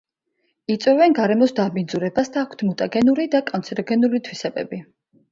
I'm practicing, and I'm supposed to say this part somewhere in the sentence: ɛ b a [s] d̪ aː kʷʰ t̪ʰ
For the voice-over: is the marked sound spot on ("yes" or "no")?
yes